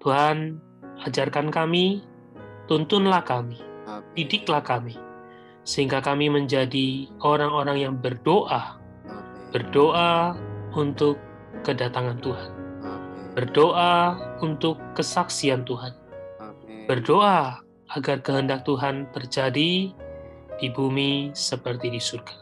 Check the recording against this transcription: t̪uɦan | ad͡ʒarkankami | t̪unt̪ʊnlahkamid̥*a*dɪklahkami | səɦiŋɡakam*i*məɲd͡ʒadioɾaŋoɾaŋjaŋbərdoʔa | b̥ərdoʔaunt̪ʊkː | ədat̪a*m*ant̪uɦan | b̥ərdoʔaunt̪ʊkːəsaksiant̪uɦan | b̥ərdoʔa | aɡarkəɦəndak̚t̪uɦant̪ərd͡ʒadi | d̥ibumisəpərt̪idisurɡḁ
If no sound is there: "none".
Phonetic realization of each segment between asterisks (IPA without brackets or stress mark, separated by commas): i, i, ŋ